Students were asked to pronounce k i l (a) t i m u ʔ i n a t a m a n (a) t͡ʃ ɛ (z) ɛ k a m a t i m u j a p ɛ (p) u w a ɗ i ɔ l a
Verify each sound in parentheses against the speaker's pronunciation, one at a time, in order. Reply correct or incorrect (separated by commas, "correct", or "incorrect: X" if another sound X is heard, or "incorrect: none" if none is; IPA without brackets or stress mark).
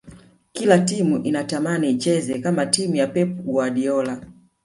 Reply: correct, incorrect: i, correct, correct